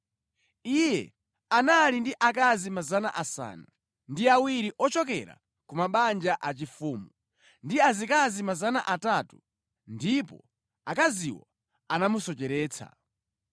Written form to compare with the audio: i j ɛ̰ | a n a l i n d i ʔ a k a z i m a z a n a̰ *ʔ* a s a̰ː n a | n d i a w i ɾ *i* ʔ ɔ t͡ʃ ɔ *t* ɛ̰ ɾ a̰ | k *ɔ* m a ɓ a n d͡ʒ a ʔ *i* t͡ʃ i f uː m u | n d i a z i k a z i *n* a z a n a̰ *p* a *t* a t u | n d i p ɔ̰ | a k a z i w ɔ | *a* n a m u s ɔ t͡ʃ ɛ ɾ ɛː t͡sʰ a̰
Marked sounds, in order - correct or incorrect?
correct, correct, incorrect: k, incorrect: u, incorrect: a, incorrect: m, incorrect: ʔ, correct, correct

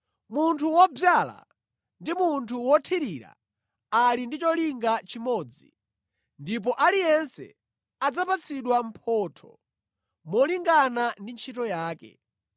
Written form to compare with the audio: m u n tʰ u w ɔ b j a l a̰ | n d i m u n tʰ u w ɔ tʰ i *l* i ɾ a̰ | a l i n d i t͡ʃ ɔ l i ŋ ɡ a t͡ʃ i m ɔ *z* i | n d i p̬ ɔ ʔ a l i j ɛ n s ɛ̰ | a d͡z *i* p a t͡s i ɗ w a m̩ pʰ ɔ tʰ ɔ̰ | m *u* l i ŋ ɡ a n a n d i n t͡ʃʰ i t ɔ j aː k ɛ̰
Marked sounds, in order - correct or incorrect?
incorrect: ɾ, incorrect: d͡z, incorrect: a, incorrect: ɔ

